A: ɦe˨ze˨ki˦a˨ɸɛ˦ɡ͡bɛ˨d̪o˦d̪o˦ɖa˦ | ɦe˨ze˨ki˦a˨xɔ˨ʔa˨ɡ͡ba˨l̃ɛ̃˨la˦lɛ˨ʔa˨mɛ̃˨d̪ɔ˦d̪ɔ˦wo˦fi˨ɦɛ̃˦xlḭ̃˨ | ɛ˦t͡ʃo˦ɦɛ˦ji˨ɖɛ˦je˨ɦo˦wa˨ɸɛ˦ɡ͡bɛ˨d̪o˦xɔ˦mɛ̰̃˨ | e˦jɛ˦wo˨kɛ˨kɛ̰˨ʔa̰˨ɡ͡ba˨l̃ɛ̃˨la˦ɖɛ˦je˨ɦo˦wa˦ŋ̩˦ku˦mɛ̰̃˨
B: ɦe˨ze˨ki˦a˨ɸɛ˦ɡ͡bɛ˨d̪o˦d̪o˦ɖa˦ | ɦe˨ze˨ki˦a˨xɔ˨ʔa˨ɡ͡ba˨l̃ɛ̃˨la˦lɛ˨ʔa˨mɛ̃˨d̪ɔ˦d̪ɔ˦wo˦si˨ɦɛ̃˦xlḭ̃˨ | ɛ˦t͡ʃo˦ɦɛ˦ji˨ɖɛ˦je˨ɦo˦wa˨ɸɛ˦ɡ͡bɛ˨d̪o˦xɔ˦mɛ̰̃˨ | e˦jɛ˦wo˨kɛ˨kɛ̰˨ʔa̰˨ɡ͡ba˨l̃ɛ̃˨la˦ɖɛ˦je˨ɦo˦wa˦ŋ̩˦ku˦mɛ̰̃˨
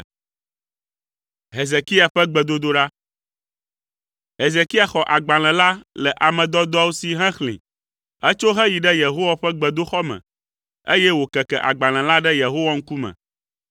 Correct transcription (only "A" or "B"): B